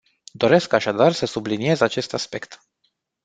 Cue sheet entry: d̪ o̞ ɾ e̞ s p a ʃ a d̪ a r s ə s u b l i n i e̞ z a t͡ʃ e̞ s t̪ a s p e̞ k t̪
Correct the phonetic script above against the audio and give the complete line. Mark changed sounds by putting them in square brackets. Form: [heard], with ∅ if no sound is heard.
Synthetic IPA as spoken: d̪ o̞ ɾ e̞ s [k] a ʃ a d̪ a r s ə s u b l i n i e̞ z a t͡ʃ e̞ s t̪ a s p e̞ k t̪